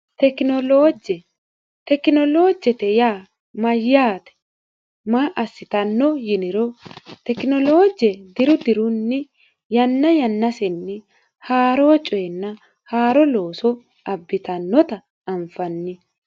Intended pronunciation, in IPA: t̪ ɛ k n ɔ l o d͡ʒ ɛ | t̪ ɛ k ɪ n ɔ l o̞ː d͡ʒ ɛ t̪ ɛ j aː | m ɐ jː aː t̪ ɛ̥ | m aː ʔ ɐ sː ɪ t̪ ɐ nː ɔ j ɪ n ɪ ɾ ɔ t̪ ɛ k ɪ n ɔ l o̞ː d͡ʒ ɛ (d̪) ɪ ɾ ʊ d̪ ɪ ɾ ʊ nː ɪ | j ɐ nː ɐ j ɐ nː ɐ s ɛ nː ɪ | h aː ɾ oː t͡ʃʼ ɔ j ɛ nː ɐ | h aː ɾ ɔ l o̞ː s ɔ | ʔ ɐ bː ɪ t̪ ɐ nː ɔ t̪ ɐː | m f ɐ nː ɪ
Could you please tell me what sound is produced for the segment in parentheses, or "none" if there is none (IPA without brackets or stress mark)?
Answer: d̪